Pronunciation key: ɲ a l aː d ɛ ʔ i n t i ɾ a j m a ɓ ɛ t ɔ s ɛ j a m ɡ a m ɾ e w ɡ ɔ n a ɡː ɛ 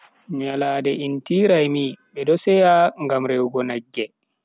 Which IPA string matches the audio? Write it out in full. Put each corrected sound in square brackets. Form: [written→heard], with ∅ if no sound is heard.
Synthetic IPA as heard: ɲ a l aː d ɛ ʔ i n t i ɾ a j m [a→i] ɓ ɛ [t→d] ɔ s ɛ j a [m→ŋ] ɡ a m ɾ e w ɡ ɔ n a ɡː ɛ